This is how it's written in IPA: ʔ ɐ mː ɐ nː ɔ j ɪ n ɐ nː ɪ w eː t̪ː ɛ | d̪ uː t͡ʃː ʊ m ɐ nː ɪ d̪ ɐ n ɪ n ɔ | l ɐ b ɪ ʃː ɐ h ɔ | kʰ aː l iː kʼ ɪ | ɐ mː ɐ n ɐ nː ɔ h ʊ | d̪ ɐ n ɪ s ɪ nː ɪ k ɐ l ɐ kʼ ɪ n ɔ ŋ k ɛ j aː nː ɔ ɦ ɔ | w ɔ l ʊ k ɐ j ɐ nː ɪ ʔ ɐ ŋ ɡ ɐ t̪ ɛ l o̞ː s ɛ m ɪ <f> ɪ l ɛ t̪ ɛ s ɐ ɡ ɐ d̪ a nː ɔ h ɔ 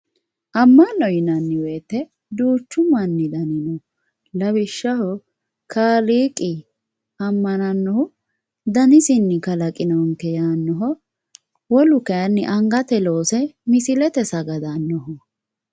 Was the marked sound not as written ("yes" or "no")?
yes